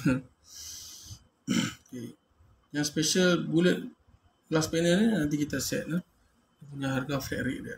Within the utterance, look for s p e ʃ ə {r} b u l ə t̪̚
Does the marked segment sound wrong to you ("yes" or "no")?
yes